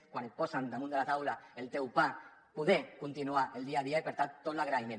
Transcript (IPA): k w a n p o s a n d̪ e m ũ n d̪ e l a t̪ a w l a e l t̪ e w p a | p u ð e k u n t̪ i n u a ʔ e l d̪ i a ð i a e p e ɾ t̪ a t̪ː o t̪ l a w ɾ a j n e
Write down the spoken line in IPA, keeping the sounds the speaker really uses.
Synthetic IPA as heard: k w a n p o s a n d̪ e m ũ n d̪ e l a t̪ a w l a e l t̪ e w p a | p u ð e k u n t̪ i n u a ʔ e l d̪ i a ð i a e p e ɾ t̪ a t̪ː o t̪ l a ɣ ɾ a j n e

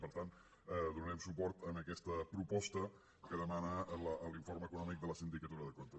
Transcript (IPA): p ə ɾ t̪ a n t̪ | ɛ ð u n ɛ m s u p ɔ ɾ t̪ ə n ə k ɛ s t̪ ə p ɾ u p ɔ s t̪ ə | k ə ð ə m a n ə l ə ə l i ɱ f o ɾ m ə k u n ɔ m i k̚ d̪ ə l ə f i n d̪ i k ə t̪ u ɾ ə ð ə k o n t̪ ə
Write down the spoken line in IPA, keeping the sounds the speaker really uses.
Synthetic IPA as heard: p ə ɾ t̪ a n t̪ | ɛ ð u n ɛ m s u p ɔ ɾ t̪ ə n ə k ɛ s t̪ ə p ɾ u p ɔ s t̪ ə | k ə ð ə m a n ə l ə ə l i ɱ f o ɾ m ə k u n ɔ m i k̚ d̪ ə l ə s i n d̪ i k ə t̪ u ɾ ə ð ə k o n t̪ ə

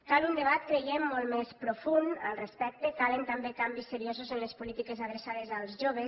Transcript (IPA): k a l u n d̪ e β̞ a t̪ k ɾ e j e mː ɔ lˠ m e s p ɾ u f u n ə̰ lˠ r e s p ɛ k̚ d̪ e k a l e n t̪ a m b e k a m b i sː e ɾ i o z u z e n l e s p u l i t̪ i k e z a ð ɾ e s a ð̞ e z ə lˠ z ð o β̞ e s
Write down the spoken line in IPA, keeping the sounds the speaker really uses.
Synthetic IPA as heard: k a l u n d̪ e β̞ a t̪ k ɾ e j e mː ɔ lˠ m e s p ɾ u f u n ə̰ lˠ r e s p ɛ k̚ t̪ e k a l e n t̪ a m b e k a m b i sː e ɾ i o z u z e n l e s p u l i t̪ i k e z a ð ɾ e s a ð̞ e z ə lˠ z ʒ o β̞ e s

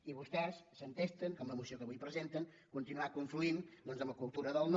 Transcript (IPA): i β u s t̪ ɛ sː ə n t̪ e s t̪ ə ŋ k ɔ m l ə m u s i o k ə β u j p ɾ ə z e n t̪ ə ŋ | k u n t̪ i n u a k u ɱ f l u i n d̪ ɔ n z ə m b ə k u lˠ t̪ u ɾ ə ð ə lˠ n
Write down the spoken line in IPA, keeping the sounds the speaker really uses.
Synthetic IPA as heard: i β u s t̪ ɛ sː ə n t̪ e s t̪ ə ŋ k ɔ m l ə m u s i o k ə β u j p ɾ ə z e n t̪ ə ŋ | k u n t̪ i n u a k u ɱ f l u i n d̪ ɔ n z ə m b ə k u lˠ t̪ u ɾ ə ð ə lˠ n

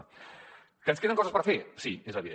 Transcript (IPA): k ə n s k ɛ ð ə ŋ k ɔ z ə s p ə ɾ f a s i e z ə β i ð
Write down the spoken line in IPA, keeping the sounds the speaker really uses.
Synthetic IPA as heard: k ə n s k e ð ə ŋ k ɔ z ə s p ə ɾ f e s i e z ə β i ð

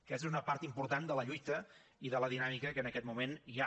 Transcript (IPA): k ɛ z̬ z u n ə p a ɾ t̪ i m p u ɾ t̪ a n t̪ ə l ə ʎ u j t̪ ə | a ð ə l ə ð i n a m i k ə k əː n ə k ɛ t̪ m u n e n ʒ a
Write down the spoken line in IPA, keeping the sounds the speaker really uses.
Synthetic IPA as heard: k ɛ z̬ z u n ə p a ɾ t̪ i m p u ɾ t̪ a n d̪ ə l ə ʎ u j t̪ ə | i ð ə l ə ð i n a m i k ə k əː n ə k ɛ t̪ m u m e n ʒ a

